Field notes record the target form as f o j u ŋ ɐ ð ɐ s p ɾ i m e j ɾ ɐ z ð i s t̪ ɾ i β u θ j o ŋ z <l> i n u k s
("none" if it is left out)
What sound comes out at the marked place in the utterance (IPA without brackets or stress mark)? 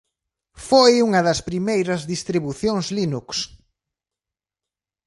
l